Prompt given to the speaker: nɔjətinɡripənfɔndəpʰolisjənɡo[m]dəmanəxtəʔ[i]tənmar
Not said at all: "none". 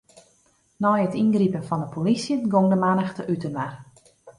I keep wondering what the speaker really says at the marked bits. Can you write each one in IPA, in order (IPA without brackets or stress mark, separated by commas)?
ŋ, y